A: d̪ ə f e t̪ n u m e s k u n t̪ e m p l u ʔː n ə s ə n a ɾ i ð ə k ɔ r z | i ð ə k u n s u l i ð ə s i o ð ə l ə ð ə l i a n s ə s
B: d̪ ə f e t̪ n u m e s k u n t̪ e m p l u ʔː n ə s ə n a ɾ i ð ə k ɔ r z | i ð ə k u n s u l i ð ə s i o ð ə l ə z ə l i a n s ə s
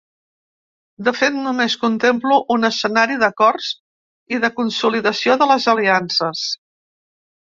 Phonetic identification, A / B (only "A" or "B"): B